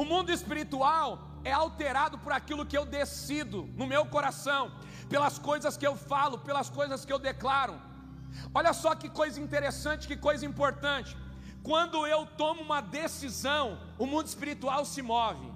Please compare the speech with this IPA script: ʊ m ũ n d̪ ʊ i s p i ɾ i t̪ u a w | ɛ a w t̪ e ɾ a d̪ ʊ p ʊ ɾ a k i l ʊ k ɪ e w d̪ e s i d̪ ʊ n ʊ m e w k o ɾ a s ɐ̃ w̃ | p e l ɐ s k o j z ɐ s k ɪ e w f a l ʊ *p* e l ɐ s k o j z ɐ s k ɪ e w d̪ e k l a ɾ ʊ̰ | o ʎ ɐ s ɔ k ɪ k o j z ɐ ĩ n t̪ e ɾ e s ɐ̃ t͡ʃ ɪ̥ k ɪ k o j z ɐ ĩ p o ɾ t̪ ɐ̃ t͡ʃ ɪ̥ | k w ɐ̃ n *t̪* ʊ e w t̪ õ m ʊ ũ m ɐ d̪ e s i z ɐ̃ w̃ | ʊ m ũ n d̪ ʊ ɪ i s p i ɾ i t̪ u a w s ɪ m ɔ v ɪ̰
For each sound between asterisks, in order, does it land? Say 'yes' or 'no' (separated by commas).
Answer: yes, no